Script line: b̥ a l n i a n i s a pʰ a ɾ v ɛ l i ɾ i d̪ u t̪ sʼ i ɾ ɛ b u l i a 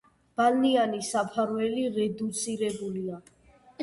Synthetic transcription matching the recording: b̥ a l n i a n i s a pʰ a ɾ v ɛ l i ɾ ɛ d̪ u t̪ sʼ i ɾ ɛ b u l i a